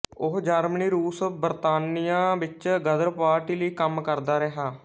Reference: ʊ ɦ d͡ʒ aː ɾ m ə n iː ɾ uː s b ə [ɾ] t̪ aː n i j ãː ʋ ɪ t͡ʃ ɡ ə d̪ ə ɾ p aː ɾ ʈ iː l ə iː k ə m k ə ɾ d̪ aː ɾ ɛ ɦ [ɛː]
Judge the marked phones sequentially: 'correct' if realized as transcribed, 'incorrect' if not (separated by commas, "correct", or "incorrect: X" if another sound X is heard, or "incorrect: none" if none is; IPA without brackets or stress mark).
correct, incorrect: aː